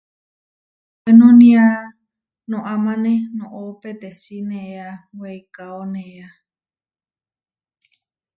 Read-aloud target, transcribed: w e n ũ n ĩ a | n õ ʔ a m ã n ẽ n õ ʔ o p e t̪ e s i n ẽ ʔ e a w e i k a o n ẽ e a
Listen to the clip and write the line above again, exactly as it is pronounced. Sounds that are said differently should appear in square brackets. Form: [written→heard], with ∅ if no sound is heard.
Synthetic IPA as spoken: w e n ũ n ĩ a | n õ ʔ a m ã n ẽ n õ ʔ o p e t̪ e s i n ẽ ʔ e a w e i k a o n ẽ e a